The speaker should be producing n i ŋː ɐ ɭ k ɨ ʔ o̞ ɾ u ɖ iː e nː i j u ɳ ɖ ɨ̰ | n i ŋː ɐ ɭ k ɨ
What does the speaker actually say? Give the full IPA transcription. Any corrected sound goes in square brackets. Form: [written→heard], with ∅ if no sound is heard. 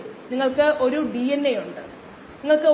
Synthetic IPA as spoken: n i ŋː ɐ ɭ k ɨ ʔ o̞ ɾ u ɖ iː e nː [i→e] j u ɳ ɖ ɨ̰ | n i ŋː ɐ ɭ k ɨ